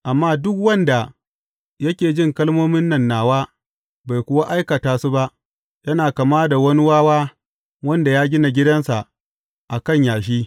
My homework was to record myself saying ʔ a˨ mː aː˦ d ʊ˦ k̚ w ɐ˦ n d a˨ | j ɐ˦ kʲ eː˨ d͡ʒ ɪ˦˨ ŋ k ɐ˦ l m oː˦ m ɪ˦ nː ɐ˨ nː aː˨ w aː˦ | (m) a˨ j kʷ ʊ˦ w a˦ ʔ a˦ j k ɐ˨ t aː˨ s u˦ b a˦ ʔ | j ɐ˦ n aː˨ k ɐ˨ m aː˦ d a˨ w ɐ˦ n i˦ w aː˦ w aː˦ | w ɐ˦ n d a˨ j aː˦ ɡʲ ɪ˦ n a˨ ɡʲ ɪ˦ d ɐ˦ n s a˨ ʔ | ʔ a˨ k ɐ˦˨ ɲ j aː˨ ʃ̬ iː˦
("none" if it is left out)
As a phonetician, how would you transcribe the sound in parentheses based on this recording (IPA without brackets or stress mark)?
b